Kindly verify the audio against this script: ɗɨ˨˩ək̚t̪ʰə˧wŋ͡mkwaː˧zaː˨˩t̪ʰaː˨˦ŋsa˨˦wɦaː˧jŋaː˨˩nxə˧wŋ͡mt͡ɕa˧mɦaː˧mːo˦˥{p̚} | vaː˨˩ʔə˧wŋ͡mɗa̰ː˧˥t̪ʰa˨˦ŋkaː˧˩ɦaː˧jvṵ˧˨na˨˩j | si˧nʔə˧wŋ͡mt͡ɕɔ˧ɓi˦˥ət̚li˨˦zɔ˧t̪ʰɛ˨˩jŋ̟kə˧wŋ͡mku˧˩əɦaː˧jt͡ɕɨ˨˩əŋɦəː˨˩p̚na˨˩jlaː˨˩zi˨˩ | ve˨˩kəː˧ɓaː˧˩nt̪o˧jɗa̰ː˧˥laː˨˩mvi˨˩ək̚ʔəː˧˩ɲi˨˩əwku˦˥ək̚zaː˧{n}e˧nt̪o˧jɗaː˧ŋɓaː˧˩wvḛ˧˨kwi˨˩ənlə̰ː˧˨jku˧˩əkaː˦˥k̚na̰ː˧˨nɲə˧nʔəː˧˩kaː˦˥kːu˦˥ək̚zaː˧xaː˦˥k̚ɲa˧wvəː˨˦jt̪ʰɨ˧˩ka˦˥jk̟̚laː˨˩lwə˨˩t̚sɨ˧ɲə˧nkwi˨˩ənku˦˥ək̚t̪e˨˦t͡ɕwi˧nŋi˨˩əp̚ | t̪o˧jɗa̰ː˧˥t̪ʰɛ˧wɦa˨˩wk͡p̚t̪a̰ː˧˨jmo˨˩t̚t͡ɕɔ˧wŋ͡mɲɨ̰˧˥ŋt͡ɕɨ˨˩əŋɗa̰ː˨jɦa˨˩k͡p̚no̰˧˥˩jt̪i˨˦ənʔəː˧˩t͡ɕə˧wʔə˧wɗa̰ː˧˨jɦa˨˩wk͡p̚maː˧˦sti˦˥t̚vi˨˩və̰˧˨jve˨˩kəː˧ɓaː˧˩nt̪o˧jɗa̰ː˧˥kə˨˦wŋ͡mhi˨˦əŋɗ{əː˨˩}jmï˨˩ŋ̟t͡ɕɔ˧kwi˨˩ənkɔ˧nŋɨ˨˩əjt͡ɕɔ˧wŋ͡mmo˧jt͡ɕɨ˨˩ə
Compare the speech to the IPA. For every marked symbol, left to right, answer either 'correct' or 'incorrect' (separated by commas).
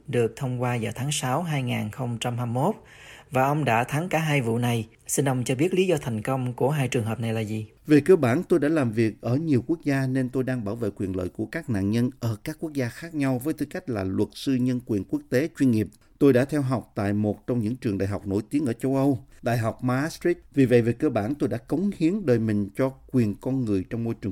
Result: incorrect, correct, correct